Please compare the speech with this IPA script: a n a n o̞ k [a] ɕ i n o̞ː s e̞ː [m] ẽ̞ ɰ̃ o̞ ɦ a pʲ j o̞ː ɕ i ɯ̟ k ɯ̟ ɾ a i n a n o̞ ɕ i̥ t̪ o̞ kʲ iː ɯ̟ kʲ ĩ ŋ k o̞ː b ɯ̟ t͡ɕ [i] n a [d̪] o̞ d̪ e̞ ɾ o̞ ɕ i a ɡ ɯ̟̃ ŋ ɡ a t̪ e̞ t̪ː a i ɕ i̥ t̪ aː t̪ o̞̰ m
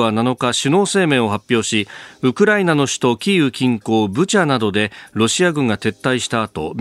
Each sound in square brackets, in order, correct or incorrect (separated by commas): correct, correct, incorrect, correct